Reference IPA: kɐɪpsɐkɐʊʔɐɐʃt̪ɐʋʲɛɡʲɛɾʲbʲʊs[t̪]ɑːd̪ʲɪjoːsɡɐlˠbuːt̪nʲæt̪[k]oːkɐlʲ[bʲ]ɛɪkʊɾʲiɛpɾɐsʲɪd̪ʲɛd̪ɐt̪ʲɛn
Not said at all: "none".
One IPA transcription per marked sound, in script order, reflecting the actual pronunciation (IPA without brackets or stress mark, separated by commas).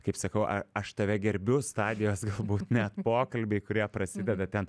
t̪, p, bʲ